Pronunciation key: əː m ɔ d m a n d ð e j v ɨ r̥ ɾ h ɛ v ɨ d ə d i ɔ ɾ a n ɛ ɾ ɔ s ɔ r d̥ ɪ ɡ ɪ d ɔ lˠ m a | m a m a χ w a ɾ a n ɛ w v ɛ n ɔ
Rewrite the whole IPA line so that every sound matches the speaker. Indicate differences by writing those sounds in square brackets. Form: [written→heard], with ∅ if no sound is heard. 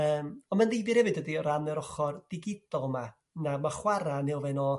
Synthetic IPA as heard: əː m ɔ [d→n] m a n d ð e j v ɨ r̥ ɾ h ɛ v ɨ d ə d i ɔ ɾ a n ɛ ɾ ɔ [s→χ] ɔ r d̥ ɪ ɡ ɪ d ɔ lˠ m a | [m→n] a m a χ w a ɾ a n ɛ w v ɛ n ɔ